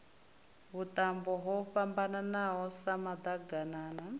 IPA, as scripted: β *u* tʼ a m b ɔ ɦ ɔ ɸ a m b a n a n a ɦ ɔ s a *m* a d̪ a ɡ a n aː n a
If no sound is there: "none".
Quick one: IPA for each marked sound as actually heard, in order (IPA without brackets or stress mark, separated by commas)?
u, m